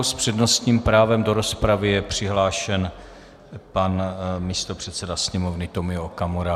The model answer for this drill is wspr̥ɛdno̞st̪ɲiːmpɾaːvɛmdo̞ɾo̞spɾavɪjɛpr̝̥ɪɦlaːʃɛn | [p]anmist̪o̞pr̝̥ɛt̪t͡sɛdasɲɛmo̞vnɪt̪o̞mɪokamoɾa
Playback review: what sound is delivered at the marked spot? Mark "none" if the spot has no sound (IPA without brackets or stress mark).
p